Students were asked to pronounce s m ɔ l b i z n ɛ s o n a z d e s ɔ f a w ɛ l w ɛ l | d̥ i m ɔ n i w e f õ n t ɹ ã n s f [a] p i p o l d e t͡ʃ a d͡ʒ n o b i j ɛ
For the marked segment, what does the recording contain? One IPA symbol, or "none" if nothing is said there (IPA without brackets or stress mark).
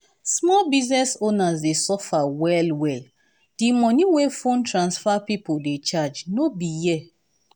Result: a